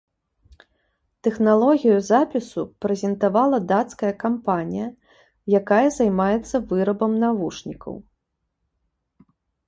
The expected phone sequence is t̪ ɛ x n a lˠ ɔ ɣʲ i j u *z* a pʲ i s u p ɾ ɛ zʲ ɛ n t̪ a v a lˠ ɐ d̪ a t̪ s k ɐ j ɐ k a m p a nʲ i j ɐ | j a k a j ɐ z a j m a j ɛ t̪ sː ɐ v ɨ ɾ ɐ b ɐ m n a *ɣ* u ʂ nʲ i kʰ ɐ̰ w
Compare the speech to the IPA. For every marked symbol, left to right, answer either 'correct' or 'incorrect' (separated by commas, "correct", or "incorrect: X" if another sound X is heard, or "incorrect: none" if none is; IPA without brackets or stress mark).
correct, incorrect: v